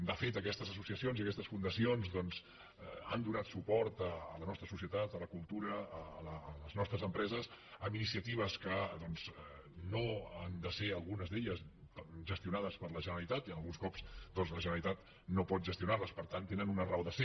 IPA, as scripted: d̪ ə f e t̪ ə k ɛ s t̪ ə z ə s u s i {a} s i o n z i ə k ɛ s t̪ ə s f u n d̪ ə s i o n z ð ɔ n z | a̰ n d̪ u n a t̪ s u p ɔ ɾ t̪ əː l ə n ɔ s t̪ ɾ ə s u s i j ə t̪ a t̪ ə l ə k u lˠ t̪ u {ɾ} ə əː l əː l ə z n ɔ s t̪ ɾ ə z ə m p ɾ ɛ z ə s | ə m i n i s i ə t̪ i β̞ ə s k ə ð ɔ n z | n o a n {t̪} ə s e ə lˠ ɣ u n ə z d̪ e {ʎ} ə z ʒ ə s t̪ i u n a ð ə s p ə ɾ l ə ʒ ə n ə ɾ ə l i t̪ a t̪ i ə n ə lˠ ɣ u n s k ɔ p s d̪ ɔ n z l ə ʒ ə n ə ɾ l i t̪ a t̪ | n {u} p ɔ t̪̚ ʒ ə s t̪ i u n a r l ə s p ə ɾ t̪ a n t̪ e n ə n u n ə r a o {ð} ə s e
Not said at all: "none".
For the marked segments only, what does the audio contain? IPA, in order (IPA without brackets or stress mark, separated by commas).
ə, ɾ, d̪, ʎ, o, ð